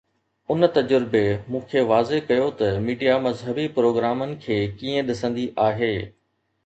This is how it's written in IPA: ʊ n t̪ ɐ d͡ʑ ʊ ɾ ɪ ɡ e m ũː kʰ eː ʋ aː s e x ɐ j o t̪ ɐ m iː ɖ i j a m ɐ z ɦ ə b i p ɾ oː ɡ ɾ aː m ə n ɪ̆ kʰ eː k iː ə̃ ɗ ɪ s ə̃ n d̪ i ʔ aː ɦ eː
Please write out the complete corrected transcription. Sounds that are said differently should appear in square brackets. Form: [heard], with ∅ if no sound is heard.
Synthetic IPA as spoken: ʊ n t̪ ɐ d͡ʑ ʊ ɾ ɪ [b] e m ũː kʰ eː ʋ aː [z] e [k] ɐ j o t̪ ɐ m iː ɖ i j a m ɐ z ɦ ə b i p ɾ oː ɡ ɾ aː m ə n ɪ̆ kʰ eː k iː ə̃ ɗ ɪ s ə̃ n d̪ i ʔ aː ɦ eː